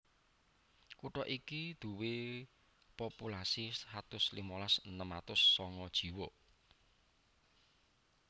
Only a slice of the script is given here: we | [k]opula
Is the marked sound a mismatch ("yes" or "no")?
yes